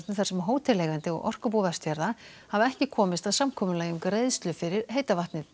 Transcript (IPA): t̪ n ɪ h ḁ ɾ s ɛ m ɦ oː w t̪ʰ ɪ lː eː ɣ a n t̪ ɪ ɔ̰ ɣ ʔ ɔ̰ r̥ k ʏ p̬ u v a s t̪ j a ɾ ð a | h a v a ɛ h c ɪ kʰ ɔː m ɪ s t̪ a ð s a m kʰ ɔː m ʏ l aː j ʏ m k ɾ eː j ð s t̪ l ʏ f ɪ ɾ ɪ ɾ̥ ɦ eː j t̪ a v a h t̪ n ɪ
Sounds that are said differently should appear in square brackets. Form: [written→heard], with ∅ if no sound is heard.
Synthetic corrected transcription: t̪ n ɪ [h→θ] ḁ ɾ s ɛ m ɦ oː w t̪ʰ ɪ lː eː ɣ a n t̪ ɪ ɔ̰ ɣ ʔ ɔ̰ r̥ k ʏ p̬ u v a s t̪ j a ɾ ð a | h a v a ɛ h c ɪ kʰ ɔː m ɪ s t̪ a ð s a m kʰ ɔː m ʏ l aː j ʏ m k ɾ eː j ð s t̪ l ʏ f ɪ ɾ ɪ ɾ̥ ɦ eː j t̪ a v a h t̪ n ɪ

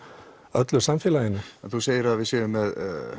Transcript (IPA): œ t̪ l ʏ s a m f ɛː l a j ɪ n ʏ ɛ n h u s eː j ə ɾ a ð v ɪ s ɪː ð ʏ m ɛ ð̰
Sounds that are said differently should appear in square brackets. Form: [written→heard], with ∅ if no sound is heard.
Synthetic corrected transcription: œ t̪ l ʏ s a m f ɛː l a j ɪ n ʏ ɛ n [h→θ] u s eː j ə ɾ a ð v ɪ s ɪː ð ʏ m ɛ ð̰

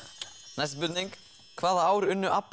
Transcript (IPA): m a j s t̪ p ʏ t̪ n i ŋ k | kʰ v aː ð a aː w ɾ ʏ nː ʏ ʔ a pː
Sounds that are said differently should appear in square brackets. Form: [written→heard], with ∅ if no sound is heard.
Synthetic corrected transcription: [m→n] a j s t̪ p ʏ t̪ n i ŋ k | kʰ v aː ð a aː w ɾ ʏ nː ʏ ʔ a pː

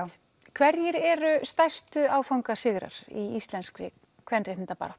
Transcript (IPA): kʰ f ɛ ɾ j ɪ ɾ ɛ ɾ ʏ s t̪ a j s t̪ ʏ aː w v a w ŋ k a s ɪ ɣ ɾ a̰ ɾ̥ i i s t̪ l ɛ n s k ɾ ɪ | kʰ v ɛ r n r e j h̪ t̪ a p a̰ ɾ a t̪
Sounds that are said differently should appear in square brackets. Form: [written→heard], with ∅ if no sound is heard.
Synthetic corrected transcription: kʰ [f→v] ɛ ɾ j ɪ ɾ ɛ ɾ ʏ s t̪ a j s t̪ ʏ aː w [v→f] a w ŋ k a s ɪ ɣ ɾ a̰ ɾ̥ i i s t̪ l ɛ n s k ɾ ɪ | kʰ v ɛ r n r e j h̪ t̪ a p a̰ ɾ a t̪

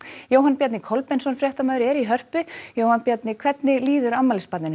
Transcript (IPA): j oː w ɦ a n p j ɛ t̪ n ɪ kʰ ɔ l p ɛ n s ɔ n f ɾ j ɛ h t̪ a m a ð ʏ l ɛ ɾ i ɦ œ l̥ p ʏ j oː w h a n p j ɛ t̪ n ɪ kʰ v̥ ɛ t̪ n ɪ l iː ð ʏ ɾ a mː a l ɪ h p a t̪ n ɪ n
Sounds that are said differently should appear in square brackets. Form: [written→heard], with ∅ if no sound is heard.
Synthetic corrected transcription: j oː w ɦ a n p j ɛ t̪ n ɪ kʰ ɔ l p ɛ n s ɔ n f ɾ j ɛ h t̪ a m a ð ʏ [l→ɾ] ɛ ɾ i ɦ œ [l̥→r̥] p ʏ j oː w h a n p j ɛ t̪ n ɪ kʰ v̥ ɛ t̪ n ɪ l iː ð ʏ ɾ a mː a l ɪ [h→s] p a t̪ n ɪ n

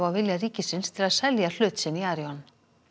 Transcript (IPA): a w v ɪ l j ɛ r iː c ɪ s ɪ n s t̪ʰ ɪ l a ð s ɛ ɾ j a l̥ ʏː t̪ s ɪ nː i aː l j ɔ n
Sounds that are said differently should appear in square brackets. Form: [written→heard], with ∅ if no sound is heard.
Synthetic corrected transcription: a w v ɪ l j [ɛ→a] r iː c ɪ s ɪ n s t̪ʰ ɪ l a ð s ɛ [ɾ→l] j a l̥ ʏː t̪ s ɪ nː i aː [l→ɾ] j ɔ n

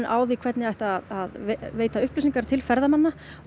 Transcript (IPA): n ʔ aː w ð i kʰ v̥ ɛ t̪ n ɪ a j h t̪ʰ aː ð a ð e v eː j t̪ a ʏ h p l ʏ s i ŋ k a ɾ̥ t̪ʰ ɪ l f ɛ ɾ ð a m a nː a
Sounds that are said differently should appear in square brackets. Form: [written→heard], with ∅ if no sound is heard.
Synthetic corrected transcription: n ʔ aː w ð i kʰ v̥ ɛ t̪ n ɪ a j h [t̪ʰ→t̪] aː ð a ð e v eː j t̪ a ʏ h p l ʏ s i ŋ k a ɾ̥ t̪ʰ ɪ l f ɛ ɾ ð a m a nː a

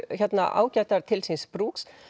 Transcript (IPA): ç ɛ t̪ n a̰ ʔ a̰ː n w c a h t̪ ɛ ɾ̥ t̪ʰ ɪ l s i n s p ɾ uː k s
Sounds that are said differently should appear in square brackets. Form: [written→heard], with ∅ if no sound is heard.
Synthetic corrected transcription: ç ɛ t̪ n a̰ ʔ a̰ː [n→∅] w c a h t̪ [ɛ→a] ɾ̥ t̪ʰ ɪ l s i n s p ɾ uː k s

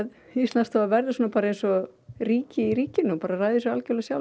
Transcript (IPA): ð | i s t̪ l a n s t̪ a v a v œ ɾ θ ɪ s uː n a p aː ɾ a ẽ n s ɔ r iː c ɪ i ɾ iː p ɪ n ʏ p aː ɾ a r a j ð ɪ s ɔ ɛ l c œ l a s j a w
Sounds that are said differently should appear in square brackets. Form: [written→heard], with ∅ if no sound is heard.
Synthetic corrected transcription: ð | i s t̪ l a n s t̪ a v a v [œ→ɛ] ɾ [θ→ð] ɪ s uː n a p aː ɾ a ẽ n s ɔ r iː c ɪ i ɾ iː [p→c] ɪ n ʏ p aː ɾ a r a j ð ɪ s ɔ [ɛ→a] l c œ l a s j a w

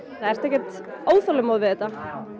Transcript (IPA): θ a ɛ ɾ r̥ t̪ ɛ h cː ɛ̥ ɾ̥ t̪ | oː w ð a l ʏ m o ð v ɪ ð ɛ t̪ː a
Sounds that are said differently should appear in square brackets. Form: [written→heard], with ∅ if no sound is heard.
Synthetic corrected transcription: θ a ɛ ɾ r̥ t̪ ɛ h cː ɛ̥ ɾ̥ t̪ | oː w [ð→θ] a l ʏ m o ð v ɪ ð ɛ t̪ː a

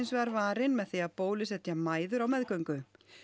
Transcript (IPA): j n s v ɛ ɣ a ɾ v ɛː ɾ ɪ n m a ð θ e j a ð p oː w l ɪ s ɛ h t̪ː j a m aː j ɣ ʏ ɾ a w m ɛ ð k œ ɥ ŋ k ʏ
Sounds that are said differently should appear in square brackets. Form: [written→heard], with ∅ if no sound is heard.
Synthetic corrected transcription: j n s v ɛ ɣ a ɾ v [ɛː→aː] ɾ ɪ n m [a→ɛ] ð θ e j a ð p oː w l ɪ s ɛ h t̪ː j a m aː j [ɣ→ð] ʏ ɾ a w m ɛ ð k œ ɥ ŋ k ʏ

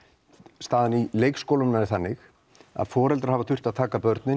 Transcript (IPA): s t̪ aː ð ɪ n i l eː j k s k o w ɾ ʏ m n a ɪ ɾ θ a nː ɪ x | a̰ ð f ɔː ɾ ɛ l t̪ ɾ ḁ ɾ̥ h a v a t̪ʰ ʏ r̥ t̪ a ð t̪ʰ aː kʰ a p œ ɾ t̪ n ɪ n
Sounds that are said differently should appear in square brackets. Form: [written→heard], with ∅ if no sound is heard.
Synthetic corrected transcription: s t̪ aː ð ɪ n i l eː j k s k o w [ɾ→l] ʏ m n a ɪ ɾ θ a nː ɪ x | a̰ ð f ɔː ɾ ɛ l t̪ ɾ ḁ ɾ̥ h a v a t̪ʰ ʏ r̥ t̪ a ð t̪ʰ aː [kʰ→k] a p œ ɾ t̪ n ɪ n

